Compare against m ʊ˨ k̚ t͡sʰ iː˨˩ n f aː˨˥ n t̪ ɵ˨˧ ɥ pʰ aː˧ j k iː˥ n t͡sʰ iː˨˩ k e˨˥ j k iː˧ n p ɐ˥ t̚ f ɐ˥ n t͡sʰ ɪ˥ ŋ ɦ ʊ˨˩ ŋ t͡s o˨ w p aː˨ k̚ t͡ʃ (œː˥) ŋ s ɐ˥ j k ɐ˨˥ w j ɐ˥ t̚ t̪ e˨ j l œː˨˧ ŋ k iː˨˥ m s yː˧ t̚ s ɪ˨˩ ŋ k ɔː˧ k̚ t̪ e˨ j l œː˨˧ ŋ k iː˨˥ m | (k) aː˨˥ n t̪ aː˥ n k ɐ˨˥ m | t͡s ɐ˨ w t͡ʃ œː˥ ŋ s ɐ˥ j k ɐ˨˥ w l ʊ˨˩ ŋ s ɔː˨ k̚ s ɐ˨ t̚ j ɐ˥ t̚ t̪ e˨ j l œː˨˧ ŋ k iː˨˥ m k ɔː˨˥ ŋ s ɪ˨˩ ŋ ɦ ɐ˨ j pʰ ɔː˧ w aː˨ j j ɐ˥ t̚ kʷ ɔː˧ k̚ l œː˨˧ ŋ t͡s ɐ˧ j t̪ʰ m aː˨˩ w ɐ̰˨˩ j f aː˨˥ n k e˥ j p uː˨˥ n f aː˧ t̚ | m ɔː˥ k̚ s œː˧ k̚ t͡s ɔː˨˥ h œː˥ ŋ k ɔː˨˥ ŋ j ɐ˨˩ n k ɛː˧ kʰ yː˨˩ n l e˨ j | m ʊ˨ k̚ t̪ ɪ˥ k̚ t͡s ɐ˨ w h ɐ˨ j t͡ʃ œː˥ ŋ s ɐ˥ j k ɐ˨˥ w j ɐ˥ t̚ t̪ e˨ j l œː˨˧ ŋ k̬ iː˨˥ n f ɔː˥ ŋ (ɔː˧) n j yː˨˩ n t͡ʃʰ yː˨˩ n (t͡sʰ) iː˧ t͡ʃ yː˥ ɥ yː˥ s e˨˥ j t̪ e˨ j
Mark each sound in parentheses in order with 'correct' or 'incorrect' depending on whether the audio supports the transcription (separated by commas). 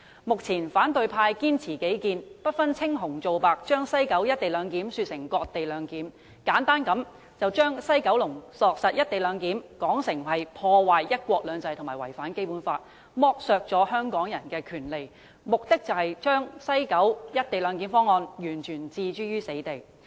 correct, correct, correct, incorrect